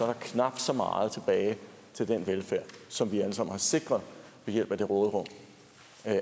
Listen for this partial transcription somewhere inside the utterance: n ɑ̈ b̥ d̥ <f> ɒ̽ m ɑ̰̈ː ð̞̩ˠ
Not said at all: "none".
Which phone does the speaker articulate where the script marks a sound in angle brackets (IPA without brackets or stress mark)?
s